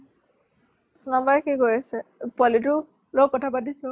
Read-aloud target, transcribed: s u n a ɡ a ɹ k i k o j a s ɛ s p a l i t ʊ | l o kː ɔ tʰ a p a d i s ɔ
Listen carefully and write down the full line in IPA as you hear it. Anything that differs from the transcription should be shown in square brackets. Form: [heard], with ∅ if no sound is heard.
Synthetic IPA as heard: s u n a [b] a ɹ k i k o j a s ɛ [∅] p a l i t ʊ | l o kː ɔ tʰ a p a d i s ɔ